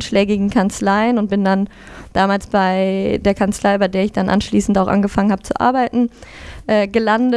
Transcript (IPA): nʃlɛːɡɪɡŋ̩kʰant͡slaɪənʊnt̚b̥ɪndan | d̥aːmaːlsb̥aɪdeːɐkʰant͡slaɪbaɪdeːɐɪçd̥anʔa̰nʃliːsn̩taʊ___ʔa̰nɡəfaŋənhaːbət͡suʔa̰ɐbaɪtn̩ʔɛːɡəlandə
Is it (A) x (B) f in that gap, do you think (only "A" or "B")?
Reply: A